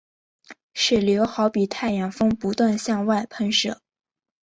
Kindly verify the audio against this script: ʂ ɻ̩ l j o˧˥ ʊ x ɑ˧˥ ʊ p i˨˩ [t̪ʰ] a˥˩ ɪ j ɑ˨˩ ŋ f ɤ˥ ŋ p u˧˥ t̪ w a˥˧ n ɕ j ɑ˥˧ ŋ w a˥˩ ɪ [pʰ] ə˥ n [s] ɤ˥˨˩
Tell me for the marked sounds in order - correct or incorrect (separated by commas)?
correct, correct, incorrect